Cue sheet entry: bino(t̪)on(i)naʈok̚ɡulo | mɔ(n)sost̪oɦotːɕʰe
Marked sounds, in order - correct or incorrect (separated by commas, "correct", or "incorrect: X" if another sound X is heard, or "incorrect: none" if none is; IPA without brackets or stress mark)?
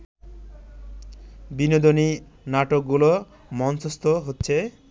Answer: incorrect: d̪, correct, correct